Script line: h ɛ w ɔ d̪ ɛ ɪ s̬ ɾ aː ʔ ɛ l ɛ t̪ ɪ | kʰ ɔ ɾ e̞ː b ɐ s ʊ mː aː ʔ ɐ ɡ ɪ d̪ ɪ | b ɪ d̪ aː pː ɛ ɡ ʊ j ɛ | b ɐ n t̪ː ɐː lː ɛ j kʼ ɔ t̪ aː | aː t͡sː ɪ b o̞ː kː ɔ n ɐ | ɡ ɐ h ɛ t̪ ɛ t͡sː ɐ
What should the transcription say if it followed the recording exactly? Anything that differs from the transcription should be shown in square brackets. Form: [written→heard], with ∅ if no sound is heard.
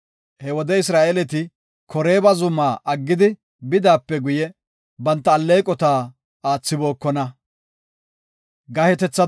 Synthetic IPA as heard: h ɛ w ɔ d̪ ɛ ɪ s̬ ɾ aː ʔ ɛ l ɛ t̪ ɪ | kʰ ɔ ɾ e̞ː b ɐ [s→z] ʊ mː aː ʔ ɐ [ɡ→ɡː] ɪ d̪ ɪ | b ɪ d̪ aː pː ɛ ɡ ʊ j ɛ | b ɐ n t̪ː ɐː lː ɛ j kʼ ɔ t̪ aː | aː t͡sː ɪ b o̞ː kː ɔ n ɐ | ɡ ɐ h ɛ t̪ ɛ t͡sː ɐ